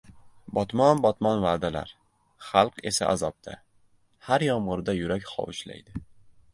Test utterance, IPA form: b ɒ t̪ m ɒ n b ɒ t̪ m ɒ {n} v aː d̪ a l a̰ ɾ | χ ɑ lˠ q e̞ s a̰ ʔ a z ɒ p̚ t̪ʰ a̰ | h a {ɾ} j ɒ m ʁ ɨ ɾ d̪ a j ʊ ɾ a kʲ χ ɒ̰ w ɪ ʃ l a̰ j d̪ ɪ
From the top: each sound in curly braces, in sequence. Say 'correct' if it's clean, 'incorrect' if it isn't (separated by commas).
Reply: correct, correct